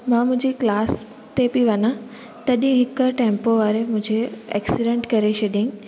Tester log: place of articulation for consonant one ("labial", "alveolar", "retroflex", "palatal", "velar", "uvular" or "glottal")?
labial